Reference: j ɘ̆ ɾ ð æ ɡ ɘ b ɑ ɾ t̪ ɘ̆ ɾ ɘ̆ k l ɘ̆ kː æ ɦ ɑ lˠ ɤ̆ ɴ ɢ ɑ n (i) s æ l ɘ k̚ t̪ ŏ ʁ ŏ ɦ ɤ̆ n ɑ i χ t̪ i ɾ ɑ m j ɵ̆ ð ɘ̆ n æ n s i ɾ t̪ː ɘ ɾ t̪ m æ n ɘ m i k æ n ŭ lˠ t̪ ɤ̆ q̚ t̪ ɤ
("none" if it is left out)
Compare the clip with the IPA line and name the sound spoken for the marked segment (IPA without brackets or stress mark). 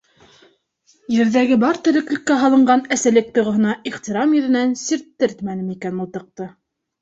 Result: æ